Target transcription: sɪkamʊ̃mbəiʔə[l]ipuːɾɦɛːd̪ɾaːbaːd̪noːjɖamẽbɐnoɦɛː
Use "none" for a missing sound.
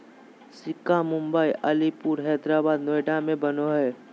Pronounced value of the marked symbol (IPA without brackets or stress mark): l